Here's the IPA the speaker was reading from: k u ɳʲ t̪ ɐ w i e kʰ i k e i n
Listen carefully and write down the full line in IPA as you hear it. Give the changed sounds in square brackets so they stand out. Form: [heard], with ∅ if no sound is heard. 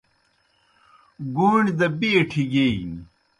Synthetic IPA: [ɡ] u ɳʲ [d̪] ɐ [b] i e [ʈʰ] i [ɡ] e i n